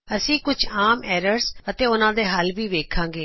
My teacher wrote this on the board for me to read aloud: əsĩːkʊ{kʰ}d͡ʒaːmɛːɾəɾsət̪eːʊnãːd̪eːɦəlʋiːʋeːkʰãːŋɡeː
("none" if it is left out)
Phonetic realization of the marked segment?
none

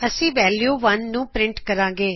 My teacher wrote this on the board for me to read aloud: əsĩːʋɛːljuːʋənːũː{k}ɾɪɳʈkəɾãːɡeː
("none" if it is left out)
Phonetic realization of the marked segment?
p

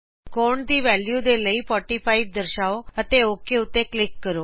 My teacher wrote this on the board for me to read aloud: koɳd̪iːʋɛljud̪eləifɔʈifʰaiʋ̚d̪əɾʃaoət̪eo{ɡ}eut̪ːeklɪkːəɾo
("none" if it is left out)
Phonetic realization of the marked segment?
k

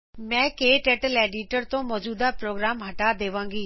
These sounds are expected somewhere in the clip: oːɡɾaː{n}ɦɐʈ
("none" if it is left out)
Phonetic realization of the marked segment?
m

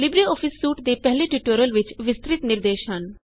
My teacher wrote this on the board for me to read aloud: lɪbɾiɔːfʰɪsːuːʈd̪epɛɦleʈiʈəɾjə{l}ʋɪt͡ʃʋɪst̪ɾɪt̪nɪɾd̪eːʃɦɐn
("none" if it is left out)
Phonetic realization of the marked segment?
l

